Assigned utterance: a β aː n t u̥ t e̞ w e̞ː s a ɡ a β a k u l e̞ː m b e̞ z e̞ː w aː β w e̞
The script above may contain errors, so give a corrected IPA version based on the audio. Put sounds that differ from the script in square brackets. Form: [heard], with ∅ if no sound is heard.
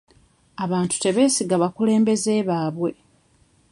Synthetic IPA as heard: a β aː n t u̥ t e̞ [β] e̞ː s [i] ɡ a β a k u l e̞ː m b e̞ z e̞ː [β] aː β w e̞